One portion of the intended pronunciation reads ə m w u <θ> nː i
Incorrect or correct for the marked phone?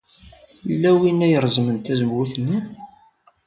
correct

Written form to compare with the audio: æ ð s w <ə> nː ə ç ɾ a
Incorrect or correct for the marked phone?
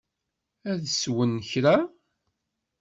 correct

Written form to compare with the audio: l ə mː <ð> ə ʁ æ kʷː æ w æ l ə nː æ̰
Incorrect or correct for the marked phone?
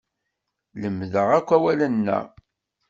correct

